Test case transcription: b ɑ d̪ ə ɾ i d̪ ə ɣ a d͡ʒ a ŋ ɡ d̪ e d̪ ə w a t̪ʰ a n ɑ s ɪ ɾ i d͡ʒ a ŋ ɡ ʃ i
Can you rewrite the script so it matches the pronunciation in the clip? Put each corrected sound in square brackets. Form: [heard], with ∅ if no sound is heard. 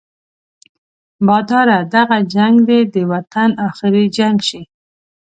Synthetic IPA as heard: b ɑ d̪ [ɑ] ɾ [a] d̪ [a] ɣ a d͡ʒ a ŋ ɡ d̪ e d̪ ə w a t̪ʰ a n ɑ [x] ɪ ɾ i d͡ʒ a ŋ ɡ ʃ i